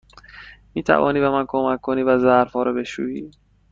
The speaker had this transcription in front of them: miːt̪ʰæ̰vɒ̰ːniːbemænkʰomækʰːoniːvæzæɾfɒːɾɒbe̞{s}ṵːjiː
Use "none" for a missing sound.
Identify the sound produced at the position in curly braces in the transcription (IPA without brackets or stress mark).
ʃ